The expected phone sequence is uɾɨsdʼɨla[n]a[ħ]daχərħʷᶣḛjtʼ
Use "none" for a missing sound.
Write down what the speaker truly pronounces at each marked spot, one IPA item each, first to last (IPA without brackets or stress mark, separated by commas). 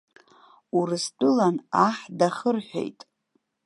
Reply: n, ħ